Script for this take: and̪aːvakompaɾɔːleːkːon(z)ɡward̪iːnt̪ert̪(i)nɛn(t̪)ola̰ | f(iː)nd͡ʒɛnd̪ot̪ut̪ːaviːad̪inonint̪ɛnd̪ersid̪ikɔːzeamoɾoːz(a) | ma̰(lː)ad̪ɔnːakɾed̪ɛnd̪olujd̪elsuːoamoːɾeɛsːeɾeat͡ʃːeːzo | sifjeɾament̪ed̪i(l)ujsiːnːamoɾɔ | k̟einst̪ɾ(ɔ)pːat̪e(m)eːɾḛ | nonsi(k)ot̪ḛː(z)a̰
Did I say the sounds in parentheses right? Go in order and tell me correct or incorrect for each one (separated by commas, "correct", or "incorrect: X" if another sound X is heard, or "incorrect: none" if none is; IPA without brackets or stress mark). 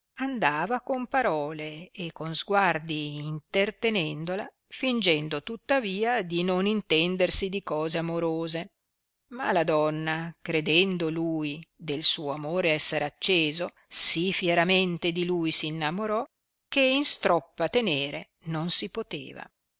correct, incorrect: e, incorrect: d̪, incorrect: i, incorrect: e, incorrect: l, correct, correct, incorrect: n, incorrect: p, incorrect: v